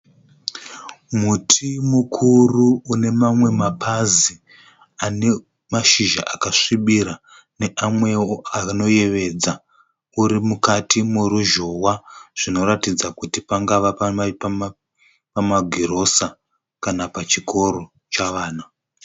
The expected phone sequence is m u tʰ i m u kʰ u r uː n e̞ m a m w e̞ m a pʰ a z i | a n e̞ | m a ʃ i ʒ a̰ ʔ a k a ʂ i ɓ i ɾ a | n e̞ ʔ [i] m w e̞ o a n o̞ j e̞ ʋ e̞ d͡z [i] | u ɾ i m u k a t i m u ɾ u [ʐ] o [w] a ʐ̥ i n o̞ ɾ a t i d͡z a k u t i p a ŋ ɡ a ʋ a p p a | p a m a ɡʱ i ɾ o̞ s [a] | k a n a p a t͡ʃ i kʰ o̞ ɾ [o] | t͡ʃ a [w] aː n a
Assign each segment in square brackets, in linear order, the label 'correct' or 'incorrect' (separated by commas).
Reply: incorrect, incorrect, incorrect, correct, correct, correct, incorrect